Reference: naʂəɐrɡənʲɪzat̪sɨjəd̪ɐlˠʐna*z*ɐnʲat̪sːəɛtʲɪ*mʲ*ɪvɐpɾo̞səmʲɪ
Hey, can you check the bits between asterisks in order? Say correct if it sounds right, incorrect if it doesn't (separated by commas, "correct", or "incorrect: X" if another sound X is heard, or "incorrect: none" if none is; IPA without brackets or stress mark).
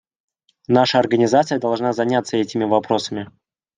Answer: correct, correct